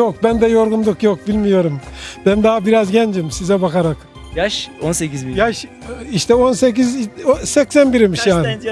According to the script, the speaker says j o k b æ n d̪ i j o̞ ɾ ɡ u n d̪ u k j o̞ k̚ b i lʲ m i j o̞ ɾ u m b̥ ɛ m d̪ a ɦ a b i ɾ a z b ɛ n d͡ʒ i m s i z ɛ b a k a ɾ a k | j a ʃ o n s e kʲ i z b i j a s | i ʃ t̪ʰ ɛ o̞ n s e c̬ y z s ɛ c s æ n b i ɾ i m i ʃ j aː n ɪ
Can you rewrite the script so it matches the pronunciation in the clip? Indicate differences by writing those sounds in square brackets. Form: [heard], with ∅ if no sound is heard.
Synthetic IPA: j o k b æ n d̪ [ɛ] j o̞ ɾ ɡ u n d̪ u k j o̞ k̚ b i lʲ m i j o̞ ɾ u m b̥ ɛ [n] d̪ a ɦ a b i ɾ a z [ɟ] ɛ n d͡ʒ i m s i z ɛ b a k a ɾ a k | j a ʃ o n s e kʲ i z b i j a [ʃ] | i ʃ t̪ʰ ɛ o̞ n s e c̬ [i] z s ɛ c s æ n b i ɾ i m i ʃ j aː n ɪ

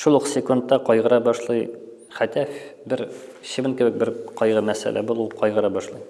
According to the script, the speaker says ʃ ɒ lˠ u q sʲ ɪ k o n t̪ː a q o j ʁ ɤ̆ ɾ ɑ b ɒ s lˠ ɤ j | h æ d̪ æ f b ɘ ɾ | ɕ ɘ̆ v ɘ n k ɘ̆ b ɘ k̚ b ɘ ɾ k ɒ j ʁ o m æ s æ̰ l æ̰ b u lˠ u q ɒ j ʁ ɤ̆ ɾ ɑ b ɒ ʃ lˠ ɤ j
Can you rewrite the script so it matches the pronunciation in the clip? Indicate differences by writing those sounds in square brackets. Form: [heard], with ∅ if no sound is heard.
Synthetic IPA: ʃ [u] lˠ u q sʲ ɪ k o n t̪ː [ɑ] q [ɒ] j ʁ ɤ̆ ɾ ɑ b ɒ [ʃ] lˠ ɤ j | [χ] æ [t̪] æ f b ɘ ɾ | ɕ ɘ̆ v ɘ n k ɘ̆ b ɘ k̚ b ɘ ɾ [q] ɒ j ʁ [ɤ] m æ s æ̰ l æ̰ b u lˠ u q ɒ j ʁ ɤ̆ ɾ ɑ b ɒ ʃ lˠ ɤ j

